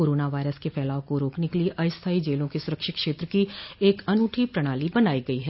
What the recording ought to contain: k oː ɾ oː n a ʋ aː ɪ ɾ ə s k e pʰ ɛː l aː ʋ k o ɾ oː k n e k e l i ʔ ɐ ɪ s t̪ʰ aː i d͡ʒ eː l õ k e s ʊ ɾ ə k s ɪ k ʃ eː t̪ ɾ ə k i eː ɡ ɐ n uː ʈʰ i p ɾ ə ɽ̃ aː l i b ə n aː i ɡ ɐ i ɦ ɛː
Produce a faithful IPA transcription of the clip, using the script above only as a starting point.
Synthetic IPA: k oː ɾ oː n a ʋ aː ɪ ɾ ə s k e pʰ ɛː l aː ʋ k o ɾ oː k n e k e l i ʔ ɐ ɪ s t̪ʰ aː i d͡ʒ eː l õ k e s ʊ ɾ ə k ʃ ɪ k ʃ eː t̪ ɾ ə k i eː k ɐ n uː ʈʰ i p ɾ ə ɽ̃ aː l i b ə n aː i ɡ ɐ i ɦ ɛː